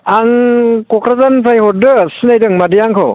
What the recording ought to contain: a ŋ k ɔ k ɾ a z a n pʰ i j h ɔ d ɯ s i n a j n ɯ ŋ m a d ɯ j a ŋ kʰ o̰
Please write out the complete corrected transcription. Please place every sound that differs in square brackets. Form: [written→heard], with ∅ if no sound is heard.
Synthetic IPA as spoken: a ŋ k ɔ k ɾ a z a n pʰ [i→a] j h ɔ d ɯ s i n a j [n→d] ɯ ŋ m a d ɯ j a ŋ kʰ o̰